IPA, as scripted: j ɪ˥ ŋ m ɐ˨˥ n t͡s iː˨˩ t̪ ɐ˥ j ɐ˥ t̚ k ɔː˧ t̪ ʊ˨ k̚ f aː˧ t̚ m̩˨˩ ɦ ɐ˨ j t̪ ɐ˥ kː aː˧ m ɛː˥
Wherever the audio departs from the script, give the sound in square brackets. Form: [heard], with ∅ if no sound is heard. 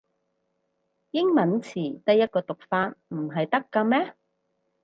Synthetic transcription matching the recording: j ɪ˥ ŋ m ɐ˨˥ n [t͡sʰ] iː˨˩ t̪ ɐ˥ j ɐ˥ t̚ k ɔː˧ t̪ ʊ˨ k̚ f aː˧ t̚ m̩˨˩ ɦ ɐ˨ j t̪ ɐ˥ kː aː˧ m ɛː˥